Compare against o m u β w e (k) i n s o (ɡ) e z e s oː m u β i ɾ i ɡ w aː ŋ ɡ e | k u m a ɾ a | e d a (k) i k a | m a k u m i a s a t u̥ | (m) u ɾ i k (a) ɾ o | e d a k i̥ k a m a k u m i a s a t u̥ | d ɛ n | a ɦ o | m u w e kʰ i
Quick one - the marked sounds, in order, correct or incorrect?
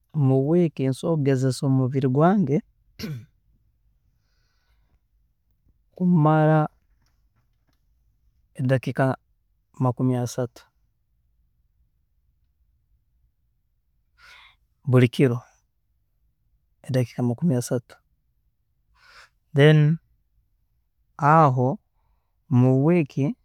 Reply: correct, correct, correct, incorrect: b, incorrect: i

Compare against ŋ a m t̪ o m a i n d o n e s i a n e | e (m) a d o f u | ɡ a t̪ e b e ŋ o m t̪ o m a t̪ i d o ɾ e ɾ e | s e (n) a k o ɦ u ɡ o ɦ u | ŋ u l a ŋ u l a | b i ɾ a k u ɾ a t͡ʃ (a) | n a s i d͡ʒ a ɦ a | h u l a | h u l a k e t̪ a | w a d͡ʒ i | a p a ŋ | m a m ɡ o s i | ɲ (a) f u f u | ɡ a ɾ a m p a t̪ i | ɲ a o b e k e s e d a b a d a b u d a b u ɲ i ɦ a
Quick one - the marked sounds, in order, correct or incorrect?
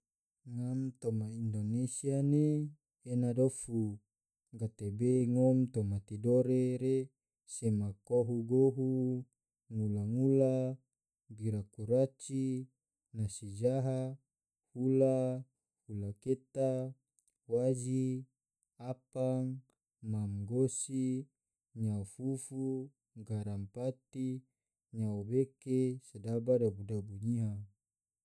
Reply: incorrect: n, incorrect: m, incorrect: i, correct

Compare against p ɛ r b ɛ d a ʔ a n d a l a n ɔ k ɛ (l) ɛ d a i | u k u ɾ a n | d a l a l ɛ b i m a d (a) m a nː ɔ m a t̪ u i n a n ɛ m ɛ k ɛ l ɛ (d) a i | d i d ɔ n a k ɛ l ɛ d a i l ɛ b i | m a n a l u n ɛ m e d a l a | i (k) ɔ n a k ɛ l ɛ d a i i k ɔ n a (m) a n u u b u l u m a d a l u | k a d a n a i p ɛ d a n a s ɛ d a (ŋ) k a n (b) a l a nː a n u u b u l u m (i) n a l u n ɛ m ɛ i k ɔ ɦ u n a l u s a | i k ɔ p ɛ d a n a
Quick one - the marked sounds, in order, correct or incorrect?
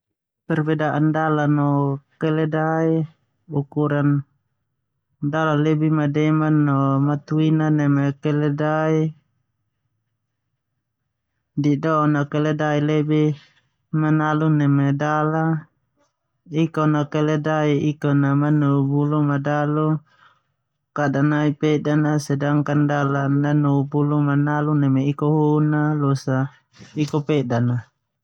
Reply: correct, incorrect: ɛ, correct, correct, correct, correct, incorrect: d, incorrect: a

